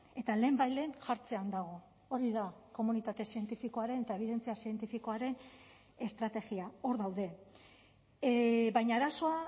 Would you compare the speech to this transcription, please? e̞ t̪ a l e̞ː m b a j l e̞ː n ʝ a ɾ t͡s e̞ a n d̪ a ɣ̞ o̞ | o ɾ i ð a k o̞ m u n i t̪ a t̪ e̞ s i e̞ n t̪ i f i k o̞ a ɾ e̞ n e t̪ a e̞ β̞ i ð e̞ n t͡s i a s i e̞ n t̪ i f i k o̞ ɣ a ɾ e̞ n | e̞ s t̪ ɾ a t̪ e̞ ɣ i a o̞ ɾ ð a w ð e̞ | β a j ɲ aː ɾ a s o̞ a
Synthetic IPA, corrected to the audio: e̞ t̪ a l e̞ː m b a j l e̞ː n ʝ a ɾ t͡s e̞ a n d̪ a ɣ̞ o̞ | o ɾ i ð a k o̞ m u n i t̪ a t̪ e̞ s i e̞ n t̪ i f i k o̞ a ɾ e̞ n e t̪ a e̞ β̞ i ð e̞ n t͡s i a s i e̞ n t̪ i f i k o̞ a ɾ e̞ n | e̞ s t̪ ɾ a t̪ e̞ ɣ i a o̞ ɾ ð a w ð e̞ | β a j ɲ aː ɾ a s o̞ a